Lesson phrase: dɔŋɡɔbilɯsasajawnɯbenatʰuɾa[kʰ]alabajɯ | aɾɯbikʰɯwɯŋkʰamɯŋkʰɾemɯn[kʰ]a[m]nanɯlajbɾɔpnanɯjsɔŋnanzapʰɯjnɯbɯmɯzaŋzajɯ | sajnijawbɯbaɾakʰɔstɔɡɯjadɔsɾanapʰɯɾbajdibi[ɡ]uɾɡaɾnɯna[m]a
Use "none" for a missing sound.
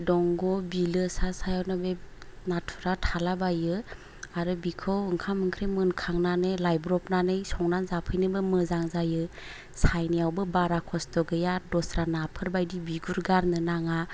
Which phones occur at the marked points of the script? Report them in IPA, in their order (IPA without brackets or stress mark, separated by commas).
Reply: tʰ, kʰ, ŋ, ɡ, ŋ